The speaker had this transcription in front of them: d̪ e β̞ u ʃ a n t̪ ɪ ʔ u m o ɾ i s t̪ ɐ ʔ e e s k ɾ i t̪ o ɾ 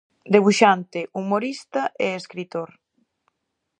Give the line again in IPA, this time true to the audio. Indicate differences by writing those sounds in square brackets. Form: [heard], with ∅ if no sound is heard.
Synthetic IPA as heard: d̪ e β̞ u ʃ a n t̪ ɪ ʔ u m o ɾ i s t̪ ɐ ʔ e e s k ɾ i t̪ o ɾ